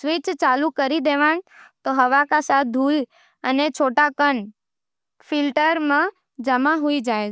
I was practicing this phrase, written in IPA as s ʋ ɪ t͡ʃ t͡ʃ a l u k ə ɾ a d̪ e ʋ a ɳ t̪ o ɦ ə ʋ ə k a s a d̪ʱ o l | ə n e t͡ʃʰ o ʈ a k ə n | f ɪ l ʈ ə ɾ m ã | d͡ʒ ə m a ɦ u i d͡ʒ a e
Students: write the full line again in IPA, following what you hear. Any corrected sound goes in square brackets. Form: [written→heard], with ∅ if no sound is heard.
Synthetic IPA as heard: s ʋ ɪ t͡ʃ t͡ʃ a l u k ə ɾ [a→i] d̪ e ʋ a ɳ t̪ o ɦ ə ʋ [ə→a] k a s a d̪ʱ [o→u] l | ə n e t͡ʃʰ o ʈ a k ə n | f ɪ l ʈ ə ɾ m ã | d͡ʒ ə m a ɦ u i d͡ʒ a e